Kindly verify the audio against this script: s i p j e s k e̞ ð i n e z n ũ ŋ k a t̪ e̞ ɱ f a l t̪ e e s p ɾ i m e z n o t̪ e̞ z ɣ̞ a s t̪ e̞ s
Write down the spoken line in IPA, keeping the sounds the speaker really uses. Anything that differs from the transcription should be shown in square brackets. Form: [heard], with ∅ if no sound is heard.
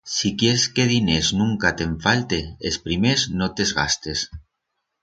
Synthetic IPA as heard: s i [k] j e s k e̞ ð i n e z n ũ ŋ k a t̪ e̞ ɱ f a l t̪ e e s p ɾ i m e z n o t̪ e̞ z ɣ̞ a s t̪ e̞ s

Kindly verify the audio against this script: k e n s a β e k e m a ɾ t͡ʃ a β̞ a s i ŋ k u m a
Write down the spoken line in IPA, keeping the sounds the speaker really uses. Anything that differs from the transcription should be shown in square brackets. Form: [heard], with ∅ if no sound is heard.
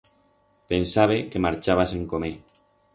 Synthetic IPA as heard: [p] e n s a β e k e m a ɾ t͡ʃ a β̞ a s [e] ŋ k [o] m [e]

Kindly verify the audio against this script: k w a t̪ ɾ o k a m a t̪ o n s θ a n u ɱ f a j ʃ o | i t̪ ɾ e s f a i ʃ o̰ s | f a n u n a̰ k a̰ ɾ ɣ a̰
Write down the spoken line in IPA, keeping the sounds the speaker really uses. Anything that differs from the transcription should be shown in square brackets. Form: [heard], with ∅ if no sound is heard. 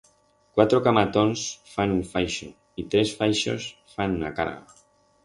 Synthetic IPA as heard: k w a t̪ ɾ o k a m a t̪ o n s [f] a n u ɱ f a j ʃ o | i t̪ ɾ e s f a [j] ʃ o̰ s | f a n u n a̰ k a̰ ɾ ɣ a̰

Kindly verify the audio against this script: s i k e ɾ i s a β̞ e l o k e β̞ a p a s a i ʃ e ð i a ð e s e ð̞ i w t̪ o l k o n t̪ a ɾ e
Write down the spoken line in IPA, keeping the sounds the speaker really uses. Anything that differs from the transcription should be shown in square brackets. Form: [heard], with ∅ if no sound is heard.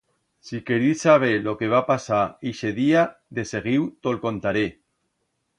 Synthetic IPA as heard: s i k e ɾ i s a β̞ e l o k e β̞ a p a s a i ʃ e ð i a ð e s e [ɣ̞] i w t̪ o l k o n t̪ a ɾ e

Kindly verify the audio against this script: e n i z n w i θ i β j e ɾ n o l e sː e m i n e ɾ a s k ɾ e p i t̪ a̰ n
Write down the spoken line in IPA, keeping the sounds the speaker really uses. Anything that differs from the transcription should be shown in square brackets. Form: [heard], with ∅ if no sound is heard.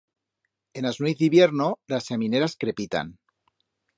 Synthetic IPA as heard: e n [a] z n w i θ i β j e ɾ n o l [a] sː e m i n e ɾ a s k ɾ e p i t̪ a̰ n

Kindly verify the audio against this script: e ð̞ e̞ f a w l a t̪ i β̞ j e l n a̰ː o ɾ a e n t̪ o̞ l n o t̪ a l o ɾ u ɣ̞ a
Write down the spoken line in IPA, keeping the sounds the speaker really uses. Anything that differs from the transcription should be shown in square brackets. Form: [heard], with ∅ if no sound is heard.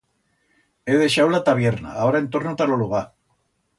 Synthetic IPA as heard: e ð̞ e̞ [ʃ] a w l a t̪ [a] β̞ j e [ɾ] n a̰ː o ɾ a e n t̪ o̞ [ɾ] n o t̪ a l o [l] u ɣ̞ a

